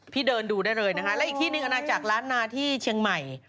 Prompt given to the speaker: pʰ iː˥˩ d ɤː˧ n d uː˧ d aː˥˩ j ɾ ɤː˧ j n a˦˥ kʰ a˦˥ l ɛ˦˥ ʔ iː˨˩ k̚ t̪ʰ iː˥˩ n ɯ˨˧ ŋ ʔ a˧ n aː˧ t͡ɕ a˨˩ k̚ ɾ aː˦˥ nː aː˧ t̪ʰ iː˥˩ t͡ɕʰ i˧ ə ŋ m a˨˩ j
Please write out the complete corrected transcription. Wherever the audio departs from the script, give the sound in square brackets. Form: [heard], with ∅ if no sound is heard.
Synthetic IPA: pʰ iː˥˩ d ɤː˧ n d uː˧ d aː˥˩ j ɾ ɤː˧ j n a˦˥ kʰ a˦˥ l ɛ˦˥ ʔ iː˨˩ k̚ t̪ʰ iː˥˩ n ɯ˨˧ ŋ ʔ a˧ n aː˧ t͡ɕ a˨˩ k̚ ɾ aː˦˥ nː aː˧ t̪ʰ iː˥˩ t͡ɕʰ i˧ ə ŋ m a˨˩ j